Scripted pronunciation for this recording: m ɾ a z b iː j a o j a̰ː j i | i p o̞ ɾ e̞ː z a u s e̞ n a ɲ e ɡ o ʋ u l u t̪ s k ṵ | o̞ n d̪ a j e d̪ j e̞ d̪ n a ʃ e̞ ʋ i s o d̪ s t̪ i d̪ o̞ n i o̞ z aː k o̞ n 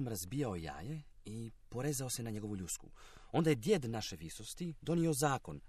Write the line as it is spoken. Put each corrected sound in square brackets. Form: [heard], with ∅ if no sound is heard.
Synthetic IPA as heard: m ɾ a z b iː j a o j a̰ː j [e] | i p o̞ ɾ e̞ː z a [o] s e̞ n a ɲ e ɡ o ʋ u [ʎ] u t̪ s k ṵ | o̞ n d̪ a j e d̪ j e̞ d̪ n a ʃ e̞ ʋ i s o [∅] s t̪ i d̪ o̞ n i o̞ z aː k o̞ n